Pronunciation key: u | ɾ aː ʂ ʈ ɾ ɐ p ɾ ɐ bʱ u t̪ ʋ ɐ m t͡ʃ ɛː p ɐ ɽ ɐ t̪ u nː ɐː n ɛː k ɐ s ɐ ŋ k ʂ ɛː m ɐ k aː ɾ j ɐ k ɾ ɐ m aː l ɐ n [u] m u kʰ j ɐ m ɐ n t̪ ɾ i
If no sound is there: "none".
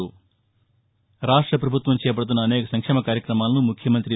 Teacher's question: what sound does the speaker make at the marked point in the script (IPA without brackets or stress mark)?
u